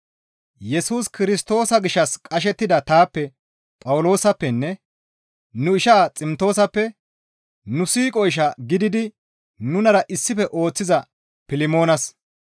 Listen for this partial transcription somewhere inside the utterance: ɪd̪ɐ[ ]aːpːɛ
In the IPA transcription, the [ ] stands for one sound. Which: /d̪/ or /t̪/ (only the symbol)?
t̪